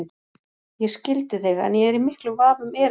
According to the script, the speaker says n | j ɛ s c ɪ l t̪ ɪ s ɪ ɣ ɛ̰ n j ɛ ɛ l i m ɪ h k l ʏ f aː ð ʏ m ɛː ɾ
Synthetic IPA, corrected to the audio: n | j ɛ s c ɪ l t̪ ɪ θ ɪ ɣ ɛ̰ n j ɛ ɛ ɾ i m ɪ h k l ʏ v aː v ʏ m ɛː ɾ